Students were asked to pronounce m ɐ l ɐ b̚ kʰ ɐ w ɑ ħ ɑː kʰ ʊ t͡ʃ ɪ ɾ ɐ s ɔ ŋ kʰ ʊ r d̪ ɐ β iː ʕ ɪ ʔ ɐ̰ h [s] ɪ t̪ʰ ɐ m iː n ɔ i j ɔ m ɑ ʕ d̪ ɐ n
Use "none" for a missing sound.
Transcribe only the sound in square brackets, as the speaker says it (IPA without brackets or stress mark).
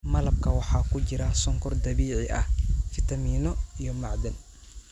f